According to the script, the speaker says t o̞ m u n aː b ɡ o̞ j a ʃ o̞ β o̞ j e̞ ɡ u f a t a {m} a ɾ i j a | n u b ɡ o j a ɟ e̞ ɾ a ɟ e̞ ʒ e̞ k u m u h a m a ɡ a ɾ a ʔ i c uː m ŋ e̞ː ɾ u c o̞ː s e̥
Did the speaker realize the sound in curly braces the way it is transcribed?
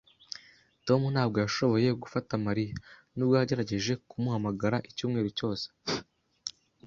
yes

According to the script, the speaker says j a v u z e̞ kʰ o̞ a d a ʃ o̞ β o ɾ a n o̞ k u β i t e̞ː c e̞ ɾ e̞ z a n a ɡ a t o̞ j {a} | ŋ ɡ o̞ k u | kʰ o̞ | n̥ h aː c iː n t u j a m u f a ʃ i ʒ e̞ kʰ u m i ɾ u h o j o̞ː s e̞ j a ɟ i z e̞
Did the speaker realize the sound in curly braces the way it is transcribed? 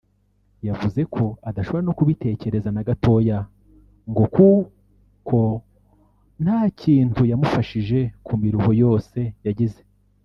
yes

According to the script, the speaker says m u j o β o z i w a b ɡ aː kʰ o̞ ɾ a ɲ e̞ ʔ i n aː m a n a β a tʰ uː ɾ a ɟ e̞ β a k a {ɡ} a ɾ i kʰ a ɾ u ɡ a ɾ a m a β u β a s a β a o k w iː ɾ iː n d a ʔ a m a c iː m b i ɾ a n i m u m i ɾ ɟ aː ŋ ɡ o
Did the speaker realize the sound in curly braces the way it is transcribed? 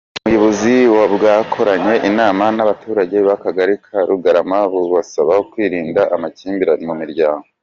yes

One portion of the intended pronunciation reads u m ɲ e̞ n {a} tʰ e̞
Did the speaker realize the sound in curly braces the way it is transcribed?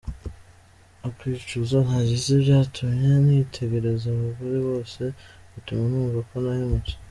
no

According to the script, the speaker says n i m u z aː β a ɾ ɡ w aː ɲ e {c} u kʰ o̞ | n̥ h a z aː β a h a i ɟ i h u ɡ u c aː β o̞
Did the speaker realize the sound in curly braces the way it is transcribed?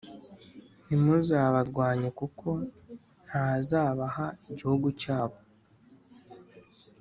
no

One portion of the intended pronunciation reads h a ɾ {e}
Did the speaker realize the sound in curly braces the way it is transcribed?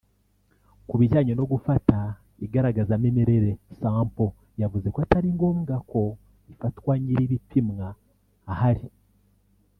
no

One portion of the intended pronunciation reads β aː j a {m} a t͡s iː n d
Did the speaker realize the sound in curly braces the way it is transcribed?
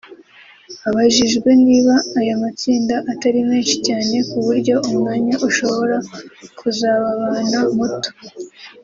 yes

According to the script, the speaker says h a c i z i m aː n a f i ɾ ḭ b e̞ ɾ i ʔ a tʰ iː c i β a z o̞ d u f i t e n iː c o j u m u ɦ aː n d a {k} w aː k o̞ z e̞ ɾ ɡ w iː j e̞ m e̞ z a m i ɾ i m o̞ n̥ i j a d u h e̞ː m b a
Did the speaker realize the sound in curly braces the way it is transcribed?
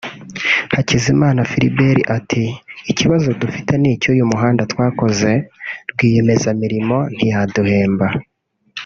no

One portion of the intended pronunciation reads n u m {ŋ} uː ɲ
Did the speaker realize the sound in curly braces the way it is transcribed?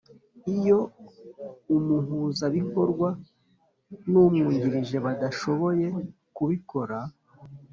yes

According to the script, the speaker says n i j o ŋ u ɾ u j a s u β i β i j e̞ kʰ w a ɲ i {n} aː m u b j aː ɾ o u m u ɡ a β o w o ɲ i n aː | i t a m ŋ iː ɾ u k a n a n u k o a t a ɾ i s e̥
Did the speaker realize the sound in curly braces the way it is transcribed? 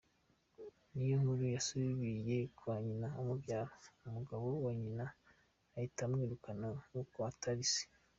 yes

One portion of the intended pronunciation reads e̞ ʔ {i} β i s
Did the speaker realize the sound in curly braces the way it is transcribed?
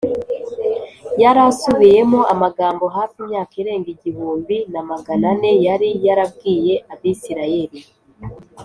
no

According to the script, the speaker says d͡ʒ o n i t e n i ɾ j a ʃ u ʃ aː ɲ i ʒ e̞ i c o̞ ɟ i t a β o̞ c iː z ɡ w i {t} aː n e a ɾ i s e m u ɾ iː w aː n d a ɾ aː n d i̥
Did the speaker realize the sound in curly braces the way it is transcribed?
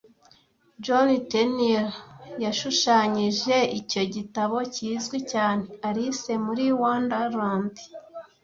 no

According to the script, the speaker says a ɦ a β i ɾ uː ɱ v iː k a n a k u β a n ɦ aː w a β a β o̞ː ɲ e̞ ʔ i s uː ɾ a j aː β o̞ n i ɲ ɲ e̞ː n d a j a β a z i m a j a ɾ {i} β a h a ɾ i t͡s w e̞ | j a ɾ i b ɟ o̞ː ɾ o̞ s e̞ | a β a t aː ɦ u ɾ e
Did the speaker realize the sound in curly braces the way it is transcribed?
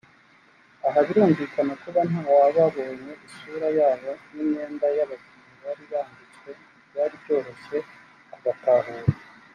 yes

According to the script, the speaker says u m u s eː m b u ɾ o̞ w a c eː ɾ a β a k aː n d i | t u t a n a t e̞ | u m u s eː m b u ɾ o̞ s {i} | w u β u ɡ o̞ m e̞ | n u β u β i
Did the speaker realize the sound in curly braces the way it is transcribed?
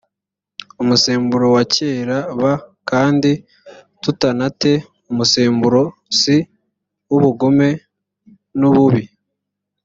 yes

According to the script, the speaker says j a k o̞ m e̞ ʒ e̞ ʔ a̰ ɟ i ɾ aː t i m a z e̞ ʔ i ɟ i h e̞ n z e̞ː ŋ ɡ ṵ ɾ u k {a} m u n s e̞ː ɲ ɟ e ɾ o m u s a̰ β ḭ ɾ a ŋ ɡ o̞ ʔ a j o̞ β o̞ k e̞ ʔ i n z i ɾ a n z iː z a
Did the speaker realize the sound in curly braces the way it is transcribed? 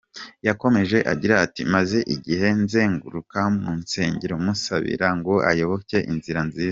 yes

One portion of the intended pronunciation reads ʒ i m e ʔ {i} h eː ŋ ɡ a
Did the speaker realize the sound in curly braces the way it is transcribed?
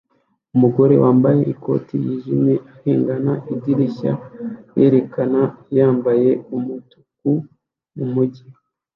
no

